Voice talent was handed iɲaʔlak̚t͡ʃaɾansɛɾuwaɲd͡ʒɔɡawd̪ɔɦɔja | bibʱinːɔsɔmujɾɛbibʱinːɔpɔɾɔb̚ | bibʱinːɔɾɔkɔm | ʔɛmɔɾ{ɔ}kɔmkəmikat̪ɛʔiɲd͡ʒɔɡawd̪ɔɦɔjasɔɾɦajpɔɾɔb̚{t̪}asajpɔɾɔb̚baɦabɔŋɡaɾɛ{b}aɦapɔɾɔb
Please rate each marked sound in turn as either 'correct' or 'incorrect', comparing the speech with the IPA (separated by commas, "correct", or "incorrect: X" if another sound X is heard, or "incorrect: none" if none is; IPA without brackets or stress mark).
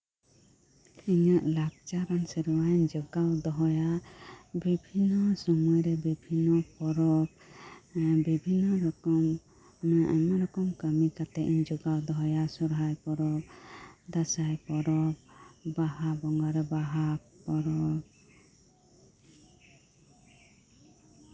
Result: correct, incorrect: d̪, correct